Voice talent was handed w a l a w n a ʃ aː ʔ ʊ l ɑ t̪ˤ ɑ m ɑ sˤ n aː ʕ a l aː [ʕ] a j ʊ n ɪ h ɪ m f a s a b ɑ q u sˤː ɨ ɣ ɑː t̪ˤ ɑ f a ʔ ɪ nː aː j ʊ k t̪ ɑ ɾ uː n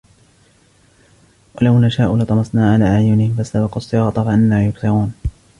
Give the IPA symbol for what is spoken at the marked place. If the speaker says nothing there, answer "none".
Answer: ʕ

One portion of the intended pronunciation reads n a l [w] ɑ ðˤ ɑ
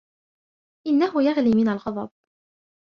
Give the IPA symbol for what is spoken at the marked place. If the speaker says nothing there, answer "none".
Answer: ɣ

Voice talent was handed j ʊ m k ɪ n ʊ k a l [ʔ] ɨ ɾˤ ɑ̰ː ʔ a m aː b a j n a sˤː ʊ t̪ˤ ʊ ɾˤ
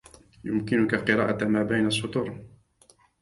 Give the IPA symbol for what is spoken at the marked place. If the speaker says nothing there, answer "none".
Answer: q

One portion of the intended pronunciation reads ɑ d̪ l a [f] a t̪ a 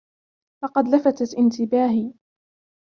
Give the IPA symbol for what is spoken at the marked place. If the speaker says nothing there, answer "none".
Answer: f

